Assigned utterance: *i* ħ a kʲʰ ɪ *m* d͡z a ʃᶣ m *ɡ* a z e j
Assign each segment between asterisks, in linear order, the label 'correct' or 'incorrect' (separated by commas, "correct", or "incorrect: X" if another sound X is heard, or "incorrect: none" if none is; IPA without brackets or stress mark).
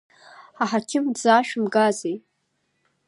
incorrect: a, correct, correct